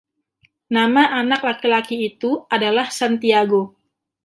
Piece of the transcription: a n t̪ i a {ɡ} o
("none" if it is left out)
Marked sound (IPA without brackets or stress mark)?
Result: ɡ